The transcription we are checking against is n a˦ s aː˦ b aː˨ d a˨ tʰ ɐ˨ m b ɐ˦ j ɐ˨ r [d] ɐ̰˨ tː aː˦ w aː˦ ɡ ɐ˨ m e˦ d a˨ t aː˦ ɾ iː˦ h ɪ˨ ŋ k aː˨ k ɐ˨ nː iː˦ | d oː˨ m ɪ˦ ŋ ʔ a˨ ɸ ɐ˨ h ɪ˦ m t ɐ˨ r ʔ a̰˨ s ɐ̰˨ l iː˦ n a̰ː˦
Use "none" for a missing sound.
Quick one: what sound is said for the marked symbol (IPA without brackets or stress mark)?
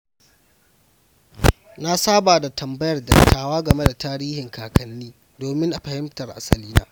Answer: d